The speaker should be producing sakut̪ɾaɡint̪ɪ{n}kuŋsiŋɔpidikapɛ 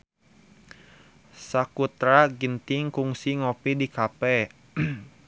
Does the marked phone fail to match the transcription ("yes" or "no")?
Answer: yes